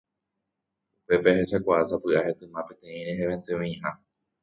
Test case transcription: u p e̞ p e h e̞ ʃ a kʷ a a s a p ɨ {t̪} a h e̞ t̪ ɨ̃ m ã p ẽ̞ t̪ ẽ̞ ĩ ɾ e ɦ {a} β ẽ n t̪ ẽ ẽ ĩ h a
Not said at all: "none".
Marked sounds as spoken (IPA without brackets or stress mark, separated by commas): none, e